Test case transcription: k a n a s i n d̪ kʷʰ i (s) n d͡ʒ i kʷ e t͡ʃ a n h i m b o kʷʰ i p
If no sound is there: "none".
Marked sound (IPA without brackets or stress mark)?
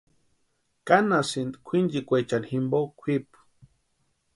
none